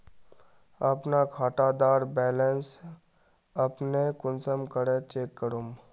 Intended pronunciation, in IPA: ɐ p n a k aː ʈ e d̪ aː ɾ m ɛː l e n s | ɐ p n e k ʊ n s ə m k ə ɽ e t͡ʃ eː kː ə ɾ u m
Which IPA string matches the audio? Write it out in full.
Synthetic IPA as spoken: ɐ p n a kʰ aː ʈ a d̪ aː ɾ b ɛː l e n s | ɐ p n e k ʊ n s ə m k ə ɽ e t͡ʃ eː kː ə ɾ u m